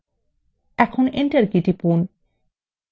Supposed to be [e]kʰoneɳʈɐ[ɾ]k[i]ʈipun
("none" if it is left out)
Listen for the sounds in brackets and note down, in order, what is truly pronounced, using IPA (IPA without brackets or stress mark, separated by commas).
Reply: ɛ, ɾ, i